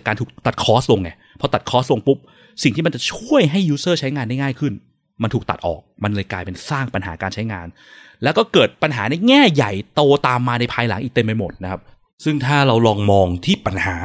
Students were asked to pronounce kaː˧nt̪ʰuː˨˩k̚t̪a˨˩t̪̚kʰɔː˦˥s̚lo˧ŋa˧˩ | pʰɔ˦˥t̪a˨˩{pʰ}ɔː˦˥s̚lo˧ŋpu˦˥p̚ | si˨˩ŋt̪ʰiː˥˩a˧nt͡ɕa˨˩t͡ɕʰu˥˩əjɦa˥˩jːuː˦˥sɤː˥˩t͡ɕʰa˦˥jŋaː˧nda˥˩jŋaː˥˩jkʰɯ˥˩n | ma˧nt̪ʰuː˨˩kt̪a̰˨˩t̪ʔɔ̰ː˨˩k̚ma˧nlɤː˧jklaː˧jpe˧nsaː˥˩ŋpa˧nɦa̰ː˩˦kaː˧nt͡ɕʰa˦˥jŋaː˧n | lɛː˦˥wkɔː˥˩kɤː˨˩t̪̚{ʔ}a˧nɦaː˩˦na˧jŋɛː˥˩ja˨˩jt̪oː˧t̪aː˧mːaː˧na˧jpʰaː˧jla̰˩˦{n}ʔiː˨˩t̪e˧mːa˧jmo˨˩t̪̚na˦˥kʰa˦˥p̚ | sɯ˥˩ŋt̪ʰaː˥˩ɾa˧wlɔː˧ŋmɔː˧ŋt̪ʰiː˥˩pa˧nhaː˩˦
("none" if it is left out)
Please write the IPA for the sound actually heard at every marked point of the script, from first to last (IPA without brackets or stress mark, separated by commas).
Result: kʰ, p, ŋ